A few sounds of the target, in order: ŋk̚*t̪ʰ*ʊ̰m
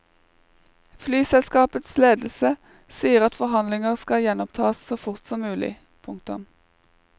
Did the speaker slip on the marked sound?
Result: yes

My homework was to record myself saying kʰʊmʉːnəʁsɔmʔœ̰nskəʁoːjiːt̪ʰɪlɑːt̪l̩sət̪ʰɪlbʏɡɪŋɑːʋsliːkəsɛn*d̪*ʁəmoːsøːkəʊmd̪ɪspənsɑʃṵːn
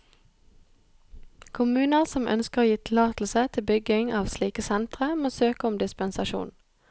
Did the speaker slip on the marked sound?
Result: yes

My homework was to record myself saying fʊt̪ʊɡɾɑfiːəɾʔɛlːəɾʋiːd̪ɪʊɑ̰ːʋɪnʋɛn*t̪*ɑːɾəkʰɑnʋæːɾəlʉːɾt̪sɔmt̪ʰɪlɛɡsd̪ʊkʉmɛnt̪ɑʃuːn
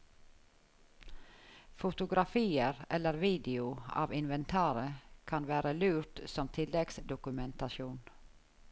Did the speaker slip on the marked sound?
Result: yes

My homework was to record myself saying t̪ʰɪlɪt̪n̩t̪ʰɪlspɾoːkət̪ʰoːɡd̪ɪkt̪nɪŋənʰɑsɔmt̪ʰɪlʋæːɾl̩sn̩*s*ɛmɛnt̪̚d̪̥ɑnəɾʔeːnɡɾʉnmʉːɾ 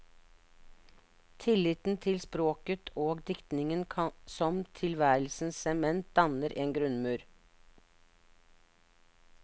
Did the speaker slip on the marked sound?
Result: no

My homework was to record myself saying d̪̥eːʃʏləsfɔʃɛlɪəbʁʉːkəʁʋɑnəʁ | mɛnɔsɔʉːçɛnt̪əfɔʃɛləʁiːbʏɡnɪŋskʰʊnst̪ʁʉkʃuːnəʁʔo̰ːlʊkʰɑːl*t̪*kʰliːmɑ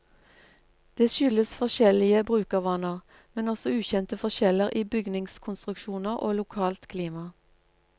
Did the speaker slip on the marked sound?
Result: no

